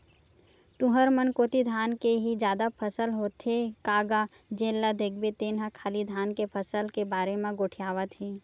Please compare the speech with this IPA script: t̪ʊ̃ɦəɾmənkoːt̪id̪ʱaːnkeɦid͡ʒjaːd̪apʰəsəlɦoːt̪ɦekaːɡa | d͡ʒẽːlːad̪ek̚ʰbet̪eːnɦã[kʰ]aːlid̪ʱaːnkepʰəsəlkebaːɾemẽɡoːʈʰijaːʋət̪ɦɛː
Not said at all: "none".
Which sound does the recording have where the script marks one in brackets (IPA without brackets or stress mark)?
kʰ